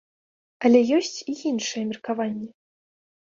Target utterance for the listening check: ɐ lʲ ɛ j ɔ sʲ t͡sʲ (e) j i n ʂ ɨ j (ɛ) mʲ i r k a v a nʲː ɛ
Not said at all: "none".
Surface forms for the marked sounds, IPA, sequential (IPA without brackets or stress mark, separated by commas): i, ɛ